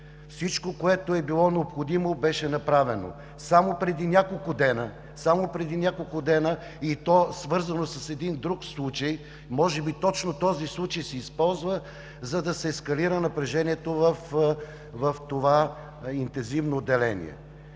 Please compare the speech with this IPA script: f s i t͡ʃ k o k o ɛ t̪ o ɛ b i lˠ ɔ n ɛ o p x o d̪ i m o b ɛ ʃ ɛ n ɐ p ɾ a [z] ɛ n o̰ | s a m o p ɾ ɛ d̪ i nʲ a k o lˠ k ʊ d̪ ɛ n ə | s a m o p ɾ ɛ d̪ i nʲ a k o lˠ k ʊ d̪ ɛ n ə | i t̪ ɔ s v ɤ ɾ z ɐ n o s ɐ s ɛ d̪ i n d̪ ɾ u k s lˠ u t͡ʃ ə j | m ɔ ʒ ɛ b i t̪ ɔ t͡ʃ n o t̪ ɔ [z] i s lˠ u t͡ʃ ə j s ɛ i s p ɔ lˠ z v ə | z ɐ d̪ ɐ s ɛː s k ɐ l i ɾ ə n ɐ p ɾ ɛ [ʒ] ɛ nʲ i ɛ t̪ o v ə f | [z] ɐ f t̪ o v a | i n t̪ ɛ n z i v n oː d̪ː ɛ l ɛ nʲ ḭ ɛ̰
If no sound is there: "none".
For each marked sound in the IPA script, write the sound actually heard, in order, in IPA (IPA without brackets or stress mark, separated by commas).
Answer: v, z, ʒ, v